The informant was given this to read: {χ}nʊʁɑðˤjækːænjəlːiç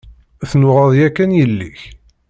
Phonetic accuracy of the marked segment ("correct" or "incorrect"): incorrect